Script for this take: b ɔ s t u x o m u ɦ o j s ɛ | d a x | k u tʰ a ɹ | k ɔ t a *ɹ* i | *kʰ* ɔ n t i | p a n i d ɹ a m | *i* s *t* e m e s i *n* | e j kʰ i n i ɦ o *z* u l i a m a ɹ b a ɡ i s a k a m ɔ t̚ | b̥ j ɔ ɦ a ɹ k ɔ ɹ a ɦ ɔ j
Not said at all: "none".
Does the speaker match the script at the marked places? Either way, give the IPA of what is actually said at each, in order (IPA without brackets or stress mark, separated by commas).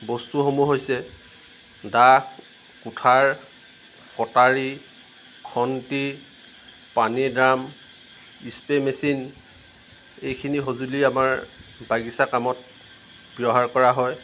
ɹ, kʰ, i, p, n, z